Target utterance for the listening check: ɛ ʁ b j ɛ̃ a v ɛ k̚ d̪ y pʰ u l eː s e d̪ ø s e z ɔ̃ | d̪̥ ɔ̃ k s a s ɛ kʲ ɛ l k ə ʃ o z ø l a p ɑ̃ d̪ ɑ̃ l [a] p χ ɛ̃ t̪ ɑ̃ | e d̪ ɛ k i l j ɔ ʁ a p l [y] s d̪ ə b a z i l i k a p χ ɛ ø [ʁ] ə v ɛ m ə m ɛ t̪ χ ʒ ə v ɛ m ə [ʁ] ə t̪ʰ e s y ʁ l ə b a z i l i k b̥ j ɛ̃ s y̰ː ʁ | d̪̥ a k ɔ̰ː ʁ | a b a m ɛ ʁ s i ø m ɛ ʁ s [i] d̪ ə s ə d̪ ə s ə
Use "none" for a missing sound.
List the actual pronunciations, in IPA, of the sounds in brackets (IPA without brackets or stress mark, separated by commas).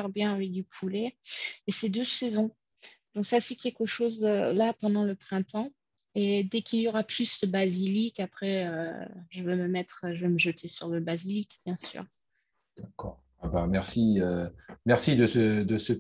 ə, y, ʒ, ʒ, i